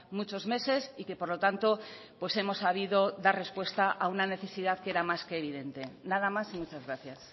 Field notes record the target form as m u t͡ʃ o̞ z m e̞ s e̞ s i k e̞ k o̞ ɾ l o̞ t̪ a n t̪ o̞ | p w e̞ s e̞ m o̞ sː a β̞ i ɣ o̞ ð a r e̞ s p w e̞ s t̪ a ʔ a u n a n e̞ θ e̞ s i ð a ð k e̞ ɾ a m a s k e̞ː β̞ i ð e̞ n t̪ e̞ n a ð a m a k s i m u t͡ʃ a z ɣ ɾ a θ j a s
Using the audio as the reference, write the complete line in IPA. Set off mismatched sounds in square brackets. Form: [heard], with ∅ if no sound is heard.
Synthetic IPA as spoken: m u t͡ʃ o̞ z m e̞ s e̞ s i k e̞ [p] o̞ ɾ l o̞ t̪ a n t̪ o̞ | p w e̞ s e̞ m o̞ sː a β̞ i [ð] o̞ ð a r e̞ s p w e̞ s t̪ a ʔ a u n a n e̞ θ e̞ s i ð a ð k e̞ ɾ a m a s k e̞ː β̞ i ð e̞ n t̪ e̞ n a ð a m a [∅] s i m u t͡ʃ a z ɣ ɾ a θ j a s